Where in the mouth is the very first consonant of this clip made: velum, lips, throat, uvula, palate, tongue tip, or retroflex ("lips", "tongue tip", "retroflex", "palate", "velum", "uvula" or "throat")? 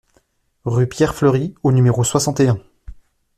uvula